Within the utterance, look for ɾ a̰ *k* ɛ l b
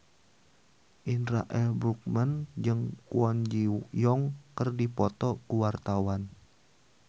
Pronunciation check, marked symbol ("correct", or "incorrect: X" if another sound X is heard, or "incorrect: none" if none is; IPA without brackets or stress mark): incorrect: ʔ